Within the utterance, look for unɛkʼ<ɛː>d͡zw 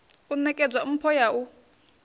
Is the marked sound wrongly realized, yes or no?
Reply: yes